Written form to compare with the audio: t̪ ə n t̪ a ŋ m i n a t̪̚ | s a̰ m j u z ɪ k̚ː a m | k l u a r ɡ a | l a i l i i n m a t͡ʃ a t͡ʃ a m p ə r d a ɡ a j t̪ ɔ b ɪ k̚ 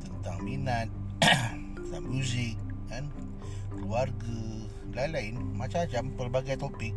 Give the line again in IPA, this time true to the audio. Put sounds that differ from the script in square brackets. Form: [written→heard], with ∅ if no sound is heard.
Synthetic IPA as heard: t̪ ə n t̪ a ŋ m i n a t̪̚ | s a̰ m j u z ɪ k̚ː a [m→n] | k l u a r ɡ a | l a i l [i→a] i n m a t͡ʃ a t͡ʃ a m p ə r [d→b] a ɡ a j t̪ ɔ [b→p] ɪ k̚